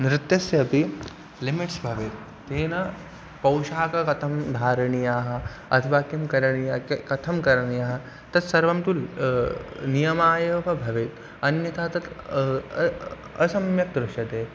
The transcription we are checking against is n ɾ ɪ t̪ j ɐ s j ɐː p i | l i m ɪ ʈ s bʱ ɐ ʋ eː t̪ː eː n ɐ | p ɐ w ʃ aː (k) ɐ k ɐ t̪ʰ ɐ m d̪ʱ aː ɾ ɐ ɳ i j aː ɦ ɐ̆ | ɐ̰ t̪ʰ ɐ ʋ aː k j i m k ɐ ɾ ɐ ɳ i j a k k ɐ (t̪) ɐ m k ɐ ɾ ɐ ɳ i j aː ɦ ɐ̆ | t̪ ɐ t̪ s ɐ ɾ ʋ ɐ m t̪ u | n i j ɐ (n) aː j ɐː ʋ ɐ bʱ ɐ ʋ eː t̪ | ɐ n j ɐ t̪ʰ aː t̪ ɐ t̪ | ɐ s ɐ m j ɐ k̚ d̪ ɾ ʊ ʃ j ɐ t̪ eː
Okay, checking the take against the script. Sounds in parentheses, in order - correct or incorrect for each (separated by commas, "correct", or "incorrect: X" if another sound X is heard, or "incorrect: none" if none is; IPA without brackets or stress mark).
correct, incorrect: t̪ʰ, incorrect: m